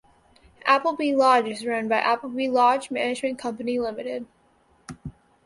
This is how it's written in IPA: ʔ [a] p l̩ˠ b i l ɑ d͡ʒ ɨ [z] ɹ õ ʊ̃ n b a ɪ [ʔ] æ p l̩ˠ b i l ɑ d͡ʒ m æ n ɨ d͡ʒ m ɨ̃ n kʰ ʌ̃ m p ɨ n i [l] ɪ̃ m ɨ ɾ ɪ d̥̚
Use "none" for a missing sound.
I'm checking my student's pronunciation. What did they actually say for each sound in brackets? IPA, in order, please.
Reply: æ, z, ʔ, l

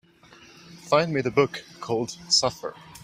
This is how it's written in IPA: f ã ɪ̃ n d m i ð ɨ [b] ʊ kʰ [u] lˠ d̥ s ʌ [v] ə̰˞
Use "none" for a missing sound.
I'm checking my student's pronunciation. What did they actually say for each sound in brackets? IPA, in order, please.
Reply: b, ɔ, f

